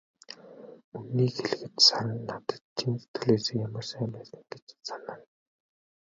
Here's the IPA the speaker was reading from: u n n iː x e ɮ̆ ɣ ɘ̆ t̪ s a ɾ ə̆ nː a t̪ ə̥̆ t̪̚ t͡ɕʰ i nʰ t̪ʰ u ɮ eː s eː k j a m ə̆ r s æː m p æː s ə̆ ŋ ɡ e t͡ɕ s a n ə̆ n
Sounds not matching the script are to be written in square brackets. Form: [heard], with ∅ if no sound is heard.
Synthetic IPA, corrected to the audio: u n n iː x e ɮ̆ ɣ ɘ̆ t̪ s a ɾ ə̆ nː a t̪ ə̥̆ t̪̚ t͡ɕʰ i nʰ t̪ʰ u ɮ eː s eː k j a m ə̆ r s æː m p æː s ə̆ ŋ ɡ e t͡ɕ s a n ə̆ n